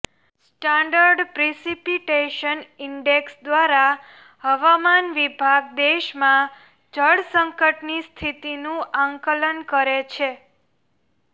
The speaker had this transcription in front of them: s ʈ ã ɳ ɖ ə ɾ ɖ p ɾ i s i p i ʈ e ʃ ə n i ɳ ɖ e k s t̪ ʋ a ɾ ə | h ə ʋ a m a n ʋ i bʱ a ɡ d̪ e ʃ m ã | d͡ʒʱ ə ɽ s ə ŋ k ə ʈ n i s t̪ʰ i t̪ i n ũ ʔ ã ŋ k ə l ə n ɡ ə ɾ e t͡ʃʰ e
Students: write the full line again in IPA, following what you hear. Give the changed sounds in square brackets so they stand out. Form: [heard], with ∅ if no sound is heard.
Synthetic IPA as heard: s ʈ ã ɳ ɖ ə ɾ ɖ p ɾ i s i p i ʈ e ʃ ə n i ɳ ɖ e k s [d̪] ʋ a ɾ [a] | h ə ʋ a m a n ʋ i bʱ a ɡ d̪ e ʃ m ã | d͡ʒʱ ə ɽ s ə ŋ k ə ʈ n i s t̪ʰ i t̪ i n ũ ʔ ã ŋ k ə l ə n [k] ə ɾ e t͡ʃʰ e